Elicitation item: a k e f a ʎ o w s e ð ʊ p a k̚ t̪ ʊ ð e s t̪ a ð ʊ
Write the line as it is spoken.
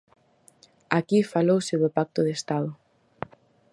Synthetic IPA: a k i f a l o w s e ð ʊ p a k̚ t̪ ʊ ð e s t̪ a ð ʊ